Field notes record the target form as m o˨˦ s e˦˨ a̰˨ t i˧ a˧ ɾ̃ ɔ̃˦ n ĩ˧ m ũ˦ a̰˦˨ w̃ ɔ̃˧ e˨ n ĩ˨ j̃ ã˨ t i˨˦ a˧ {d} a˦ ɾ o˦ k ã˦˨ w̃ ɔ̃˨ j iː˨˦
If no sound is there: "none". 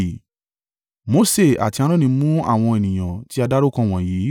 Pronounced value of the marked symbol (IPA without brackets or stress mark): d